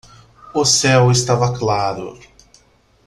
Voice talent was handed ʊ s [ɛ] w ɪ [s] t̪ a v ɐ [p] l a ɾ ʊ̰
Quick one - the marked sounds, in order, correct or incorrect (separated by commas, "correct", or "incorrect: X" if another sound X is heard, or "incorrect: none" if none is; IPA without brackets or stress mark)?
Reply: correct, correct, incorrect: k